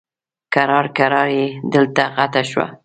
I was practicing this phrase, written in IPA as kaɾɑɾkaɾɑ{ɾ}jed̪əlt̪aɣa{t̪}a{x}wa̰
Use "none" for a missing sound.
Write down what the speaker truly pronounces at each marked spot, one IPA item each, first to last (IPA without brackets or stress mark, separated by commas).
ɾ, t̪, ʃ